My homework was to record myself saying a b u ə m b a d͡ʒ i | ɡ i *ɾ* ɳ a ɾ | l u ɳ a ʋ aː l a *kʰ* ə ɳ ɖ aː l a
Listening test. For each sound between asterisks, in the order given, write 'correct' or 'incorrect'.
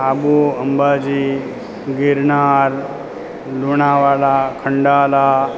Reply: correct, correct

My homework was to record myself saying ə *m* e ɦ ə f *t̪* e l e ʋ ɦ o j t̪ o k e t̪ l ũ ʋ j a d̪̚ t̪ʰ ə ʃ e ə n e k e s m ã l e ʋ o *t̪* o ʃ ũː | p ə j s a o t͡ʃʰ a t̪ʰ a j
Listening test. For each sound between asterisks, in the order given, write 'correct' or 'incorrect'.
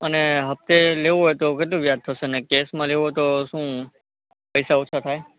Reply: incorrect, correct, correct

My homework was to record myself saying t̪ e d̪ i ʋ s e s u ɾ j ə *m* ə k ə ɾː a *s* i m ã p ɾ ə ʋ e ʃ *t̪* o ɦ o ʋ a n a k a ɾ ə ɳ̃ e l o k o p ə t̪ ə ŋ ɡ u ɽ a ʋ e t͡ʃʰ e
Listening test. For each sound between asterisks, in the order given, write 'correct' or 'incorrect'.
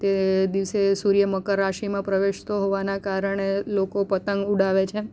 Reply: correct, incorrect, correct

